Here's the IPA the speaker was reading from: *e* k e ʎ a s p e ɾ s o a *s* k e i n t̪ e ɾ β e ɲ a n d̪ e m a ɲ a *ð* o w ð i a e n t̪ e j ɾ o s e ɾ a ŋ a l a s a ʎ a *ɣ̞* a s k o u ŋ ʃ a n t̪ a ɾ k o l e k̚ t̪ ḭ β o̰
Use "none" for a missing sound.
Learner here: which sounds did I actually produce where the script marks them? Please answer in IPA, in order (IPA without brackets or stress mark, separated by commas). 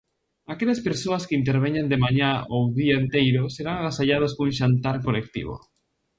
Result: a, s, none, ð̞